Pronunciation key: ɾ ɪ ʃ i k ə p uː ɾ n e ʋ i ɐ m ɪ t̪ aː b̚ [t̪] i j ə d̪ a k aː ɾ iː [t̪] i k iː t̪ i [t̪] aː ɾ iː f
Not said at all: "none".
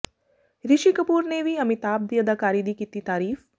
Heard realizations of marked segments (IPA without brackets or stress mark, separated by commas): d̪, d̪, t̪